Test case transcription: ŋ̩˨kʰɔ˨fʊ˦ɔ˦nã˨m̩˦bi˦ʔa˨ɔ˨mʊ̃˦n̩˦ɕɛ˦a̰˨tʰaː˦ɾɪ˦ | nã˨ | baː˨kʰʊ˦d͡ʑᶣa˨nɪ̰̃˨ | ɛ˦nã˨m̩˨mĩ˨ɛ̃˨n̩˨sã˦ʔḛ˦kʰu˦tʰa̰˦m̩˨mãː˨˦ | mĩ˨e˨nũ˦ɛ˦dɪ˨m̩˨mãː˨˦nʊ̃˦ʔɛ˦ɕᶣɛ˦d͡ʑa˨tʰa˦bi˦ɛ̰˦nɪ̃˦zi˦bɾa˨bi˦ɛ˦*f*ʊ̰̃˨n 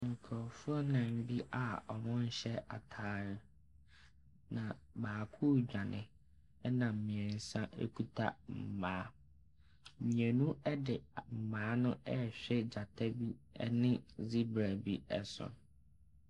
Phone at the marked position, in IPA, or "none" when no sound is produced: s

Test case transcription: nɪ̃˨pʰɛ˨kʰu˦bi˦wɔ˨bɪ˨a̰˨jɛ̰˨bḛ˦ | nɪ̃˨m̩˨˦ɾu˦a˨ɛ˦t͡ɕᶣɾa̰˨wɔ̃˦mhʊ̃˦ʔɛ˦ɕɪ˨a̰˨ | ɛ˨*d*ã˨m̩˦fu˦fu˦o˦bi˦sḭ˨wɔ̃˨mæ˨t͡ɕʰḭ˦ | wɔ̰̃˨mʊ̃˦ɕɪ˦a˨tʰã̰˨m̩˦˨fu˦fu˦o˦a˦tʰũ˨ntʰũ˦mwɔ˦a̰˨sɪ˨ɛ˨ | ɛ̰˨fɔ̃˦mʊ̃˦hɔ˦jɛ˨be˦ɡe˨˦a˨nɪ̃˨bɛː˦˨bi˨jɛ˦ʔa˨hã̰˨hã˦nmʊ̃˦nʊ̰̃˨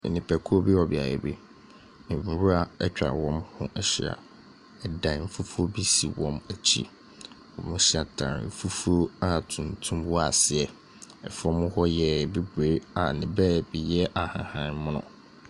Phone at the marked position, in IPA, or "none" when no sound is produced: d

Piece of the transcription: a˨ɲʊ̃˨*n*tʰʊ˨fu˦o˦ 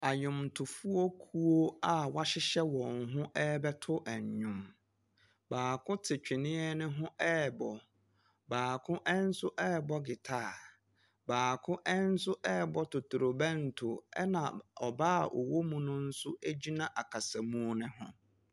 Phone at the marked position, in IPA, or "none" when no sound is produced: m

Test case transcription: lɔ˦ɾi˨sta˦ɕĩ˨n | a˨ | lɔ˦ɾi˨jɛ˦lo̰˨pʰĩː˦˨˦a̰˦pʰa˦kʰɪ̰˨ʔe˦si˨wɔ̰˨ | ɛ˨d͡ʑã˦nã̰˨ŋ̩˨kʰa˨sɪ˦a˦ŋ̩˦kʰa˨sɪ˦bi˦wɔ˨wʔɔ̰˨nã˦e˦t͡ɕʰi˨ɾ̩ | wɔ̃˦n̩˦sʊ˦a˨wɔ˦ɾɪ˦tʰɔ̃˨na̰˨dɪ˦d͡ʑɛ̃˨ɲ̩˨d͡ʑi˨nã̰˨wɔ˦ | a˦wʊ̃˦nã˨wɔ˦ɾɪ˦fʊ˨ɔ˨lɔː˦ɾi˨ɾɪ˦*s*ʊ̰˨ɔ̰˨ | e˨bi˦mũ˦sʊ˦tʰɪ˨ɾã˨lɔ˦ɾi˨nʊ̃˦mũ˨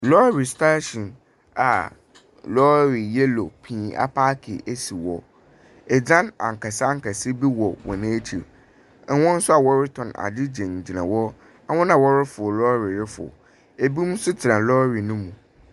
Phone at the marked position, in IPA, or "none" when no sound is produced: f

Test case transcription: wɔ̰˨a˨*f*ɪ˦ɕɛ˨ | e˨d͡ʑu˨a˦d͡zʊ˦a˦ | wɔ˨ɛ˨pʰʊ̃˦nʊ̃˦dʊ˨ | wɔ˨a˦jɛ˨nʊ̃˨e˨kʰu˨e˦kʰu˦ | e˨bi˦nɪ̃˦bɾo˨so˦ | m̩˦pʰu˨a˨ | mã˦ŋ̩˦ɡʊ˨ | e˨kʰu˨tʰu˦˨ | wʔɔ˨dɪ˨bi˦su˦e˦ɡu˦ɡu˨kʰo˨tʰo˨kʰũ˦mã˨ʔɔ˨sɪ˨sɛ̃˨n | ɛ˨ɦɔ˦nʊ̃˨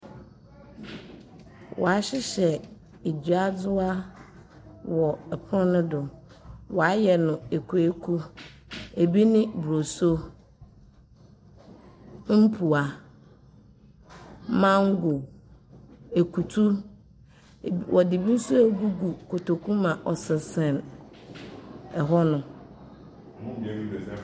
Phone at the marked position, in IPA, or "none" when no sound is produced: ɕ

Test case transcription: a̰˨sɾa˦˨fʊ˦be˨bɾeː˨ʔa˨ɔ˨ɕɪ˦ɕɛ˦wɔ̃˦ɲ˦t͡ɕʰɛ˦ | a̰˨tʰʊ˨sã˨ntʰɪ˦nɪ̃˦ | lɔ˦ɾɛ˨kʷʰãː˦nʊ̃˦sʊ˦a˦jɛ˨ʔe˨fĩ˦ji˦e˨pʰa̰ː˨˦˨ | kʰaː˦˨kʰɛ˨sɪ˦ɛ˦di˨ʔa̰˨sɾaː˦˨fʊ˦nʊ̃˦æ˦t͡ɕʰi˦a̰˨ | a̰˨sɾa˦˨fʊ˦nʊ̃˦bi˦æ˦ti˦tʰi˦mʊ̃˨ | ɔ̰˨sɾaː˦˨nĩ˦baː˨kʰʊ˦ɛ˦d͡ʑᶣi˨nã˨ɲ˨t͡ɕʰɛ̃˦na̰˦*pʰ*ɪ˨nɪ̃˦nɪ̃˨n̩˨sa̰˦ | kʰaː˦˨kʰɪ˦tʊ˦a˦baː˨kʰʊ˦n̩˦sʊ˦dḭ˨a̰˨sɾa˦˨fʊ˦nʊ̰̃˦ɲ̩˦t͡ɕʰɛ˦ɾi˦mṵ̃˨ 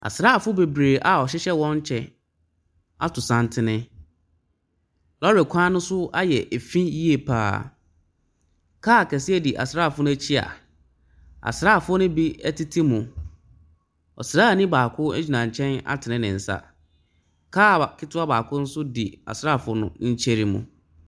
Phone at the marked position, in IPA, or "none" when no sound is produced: tʰ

